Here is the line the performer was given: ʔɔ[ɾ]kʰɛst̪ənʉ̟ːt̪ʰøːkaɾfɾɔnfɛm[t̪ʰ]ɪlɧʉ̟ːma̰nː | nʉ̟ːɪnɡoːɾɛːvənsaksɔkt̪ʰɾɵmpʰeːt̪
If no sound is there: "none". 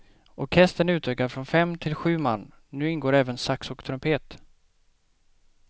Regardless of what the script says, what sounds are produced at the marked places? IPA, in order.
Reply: ɾ, t̪ʰ

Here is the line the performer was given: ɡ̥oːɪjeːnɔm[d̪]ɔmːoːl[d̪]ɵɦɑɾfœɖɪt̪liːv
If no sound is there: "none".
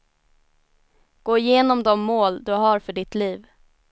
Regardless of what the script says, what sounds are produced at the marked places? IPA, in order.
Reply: d̪, d̪

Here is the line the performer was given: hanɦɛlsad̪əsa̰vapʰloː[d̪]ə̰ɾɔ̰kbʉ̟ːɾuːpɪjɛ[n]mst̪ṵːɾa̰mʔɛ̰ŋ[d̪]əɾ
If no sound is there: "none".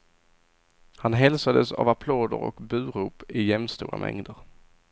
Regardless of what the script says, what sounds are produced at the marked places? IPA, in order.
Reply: d̪, none, d̪

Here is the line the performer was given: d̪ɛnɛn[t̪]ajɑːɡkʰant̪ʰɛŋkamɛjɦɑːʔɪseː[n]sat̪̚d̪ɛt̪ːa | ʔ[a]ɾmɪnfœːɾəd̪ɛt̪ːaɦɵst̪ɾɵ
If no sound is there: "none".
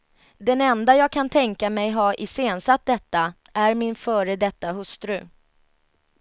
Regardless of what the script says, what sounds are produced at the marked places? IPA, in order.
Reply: d̪, n, æ

